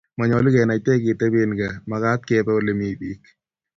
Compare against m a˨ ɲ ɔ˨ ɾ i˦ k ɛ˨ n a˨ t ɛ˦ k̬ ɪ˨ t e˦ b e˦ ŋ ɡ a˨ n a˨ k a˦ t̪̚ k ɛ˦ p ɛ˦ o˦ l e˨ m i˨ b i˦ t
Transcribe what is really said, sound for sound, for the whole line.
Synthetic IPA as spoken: m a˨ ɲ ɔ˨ l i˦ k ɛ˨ n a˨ t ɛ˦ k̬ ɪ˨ t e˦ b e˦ n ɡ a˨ m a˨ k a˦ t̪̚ k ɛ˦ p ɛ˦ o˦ l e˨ m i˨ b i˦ k

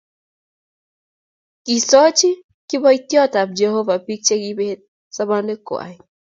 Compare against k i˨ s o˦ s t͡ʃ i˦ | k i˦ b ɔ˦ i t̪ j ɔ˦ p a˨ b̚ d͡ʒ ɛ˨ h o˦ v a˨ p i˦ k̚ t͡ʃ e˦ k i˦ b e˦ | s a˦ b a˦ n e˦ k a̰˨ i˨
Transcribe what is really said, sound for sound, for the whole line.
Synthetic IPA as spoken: k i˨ s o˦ t͡ʃ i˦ | k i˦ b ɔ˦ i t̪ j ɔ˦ t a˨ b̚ d͡ʒ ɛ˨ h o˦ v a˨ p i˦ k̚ t͡ʃ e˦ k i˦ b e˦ | s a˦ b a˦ n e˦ k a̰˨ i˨

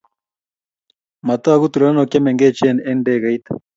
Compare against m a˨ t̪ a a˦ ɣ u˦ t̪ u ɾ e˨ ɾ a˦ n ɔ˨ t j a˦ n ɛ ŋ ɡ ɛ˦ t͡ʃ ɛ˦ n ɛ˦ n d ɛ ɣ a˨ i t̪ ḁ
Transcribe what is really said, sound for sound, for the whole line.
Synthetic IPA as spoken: m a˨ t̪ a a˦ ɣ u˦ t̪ u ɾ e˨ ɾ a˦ n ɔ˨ k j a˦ m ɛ ŋ ɡ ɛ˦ t͡ʃ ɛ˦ n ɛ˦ n d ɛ ɣ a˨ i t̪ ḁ

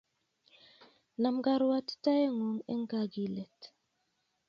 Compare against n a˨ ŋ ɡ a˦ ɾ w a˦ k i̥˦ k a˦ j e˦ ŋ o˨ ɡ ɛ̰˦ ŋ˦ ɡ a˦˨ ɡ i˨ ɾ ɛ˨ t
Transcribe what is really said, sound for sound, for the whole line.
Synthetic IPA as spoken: n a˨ m ɡ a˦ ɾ w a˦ t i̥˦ t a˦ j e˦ ŋ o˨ ŋ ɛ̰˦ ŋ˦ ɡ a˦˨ ɡ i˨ l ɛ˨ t

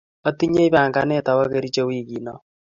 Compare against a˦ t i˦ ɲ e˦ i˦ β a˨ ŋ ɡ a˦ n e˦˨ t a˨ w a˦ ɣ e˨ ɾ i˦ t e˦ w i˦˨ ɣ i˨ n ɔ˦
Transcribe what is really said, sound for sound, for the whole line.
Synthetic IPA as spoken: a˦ t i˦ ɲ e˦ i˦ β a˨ ŋ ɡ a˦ n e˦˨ t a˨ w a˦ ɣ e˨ ɾ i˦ t͡ʃ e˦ w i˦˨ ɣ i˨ n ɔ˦

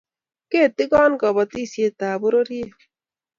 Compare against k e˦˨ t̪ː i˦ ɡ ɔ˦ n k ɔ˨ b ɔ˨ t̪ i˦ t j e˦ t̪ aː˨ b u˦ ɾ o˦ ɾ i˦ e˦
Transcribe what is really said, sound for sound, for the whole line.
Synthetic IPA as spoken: k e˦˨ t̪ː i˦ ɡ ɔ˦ n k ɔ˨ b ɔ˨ t̪ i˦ s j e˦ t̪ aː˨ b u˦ ɾ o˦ ɾ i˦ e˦

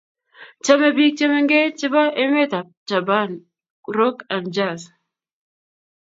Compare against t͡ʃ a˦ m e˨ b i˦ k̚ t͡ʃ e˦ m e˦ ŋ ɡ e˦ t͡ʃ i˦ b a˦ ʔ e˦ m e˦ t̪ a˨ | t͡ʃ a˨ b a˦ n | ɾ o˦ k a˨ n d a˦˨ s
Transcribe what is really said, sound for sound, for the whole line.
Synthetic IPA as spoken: t͡ʃ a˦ m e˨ b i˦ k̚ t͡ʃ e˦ m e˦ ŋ ɡ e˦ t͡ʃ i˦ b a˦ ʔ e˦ m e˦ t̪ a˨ | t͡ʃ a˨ b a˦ n | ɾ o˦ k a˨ n d͡ʒ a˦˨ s

